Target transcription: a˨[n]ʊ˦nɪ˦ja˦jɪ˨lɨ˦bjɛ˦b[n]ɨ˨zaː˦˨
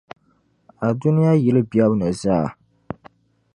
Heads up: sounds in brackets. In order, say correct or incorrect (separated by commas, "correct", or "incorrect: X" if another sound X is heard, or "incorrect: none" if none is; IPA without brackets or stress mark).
incorrect: d, correct